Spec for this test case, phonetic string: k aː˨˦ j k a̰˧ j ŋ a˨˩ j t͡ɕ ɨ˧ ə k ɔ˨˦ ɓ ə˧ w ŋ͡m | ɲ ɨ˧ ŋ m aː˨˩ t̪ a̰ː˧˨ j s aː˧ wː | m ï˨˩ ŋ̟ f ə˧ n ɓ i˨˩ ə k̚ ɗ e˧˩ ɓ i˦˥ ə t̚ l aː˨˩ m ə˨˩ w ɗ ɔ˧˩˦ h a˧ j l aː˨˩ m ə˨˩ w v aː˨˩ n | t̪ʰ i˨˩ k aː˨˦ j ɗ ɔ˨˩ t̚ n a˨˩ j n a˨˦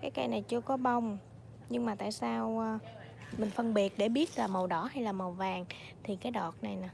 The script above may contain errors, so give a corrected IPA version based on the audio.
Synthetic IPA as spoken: k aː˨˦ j k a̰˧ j n a˨˩ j t͡ɕ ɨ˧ ə k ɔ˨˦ ɓ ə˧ w ŋ͡m | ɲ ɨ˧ ŋ m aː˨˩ t̪ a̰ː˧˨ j s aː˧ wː | m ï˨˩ ŋ̟ f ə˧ n ɓ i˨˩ ə t̚ ɗ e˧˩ ɓ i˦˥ ə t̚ l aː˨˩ m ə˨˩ w ɗ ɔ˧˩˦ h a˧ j l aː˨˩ m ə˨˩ w v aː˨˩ ŋ | t̪ʰ i˨˩ k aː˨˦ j ɗ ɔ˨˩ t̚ n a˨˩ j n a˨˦